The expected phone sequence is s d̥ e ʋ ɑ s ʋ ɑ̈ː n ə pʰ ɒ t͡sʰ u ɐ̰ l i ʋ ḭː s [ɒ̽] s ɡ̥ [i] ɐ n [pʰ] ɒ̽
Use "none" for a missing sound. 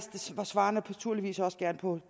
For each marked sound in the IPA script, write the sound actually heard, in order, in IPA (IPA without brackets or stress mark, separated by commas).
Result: ɒ̽, æ, pʰ